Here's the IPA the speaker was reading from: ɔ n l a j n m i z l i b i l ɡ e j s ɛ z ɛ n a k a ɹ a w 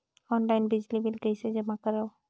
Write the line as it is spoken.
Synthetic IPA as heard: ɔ n l a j n b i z l i b i l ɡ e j s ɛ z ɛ m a k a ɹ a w